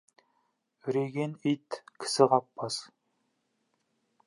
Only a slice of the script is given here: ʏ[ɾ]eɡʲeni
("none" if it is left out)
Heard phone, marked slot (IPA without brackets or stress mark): ɾ